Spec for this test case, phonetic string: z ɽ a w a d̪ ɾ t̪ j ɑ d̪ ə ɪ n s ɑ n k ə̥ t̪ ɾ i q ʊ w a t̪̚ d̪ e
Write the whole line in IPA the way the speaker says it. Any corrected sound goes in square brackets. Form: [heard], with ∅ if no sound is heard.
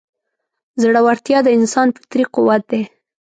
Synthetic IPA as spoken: z ɽ a w a [∅] ɾ t̪ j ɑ d̪ ə ɪ n s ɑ n [p] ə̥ t̪ ɾ i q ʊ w a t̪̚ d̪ e

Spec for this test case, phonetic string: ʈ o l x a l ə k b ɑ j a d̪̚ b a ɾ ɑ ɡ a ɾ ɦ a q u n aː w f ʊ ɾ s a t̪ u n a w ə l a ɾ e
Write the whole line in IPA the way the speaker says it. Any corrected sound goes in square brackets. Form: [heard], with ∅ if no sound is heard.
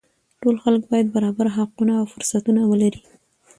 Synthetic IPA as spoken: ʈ o l x a l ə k b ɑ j a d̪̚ b a ɾ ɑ [b] a ɾ ɦ a q u n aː w f ʊ ɾ s a t̪ u n a w ə l a ɾ [i]

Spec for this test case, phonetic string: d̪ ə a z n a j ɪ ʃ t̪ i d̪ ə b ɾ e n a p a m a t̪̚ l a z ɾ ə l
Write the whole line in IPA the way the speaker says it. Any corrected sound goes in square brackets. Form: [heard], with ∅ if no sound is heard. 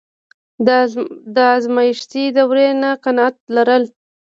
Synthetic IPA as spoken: d̪ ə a z [m] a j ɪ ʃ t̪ i d̪ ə [w] ɾ e n a [q] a [n] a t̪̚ l a [∅] ɾ ə l

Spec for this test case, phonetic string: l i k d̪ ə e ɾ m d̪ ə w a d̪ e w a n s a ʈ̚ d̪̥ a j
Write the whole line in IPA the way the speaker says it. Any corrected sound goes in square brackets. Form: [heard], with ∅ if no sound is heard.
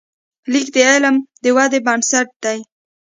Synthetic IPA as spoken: l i k d̪ ə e [l] m d̪ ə w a d̪ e [b] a n s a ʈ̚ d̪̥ a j

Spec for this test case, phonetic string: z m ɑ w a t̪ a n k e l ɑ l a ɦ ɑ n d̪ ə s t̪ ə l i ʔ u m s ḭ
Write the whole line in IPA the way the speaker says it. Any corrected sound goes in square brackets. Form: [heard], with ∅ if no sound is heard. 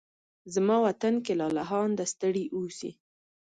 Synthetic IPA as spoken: z m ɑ w a t̪ a n k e l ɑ l a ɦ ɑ n d̪ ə s t̪ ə [ɽ] i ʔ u [∅] s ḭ

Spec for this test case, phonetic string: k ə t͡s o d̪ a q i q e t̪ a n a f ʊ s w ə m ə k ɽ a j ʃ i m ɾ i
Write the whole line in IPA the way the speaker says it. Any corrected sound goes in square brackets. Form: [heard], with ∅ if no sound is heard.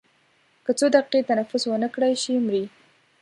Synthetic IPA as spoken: k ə t͡s o d̪ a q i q e t̪ a n a f ʊ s w ə [n] ə k ɽ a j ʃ i m ɾ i

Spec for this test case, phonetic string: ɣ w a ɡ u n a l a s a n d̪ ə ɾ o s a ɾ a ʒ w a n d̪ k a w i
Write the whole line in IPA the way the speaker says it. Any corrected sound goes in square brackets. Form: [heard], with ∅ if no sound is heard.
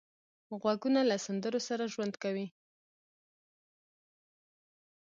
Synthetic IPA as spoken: ɣ w a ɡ u n a l a s a n d̪ ə ɾ o s a ɾ a ʒ w a n d̪ k a w i

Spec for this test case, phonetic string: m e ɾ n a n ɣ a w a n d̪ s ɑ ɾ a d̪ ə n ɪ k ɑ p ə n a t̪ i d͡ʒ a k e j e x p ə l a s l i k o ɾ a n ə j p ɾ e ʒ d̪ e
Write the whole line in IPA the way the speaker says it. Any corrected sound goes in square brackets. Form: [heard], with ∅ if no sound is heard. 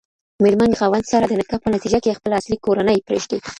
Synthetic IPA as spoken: m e ɾ [m] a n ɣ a w a n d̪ s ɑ ɾ a d̪ ə n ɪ k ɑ p ə n a t̪ i d͡ʒ a k e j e x p ə l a s l i k o ɾ a n ə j p ɾ e ʒ d̪ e

